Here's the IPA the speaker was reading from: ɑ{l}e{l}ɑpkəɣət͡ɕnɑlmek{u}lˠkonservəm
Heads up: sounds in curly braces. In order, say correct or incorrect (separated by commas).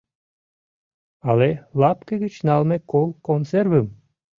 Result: correct, correct, incorrect